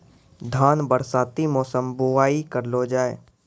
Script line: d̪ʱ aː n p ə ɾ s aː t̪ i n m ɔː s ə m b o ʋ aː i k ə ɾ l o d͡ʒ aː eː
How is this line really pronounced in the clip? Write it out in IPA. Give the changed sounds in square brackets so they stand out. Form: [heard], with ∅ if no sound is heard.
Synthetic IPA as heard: d̪ʱ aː n [b] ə ɾ s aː t̪ i [∅] m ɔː s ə m b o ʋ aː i k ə ɾ l o d͡ʒ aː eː